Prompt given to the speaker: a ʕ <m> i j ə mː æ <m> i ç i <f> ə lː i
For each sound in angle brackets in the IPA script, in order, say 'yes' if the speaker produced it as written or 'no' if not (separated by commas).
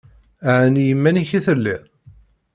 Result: no, no, no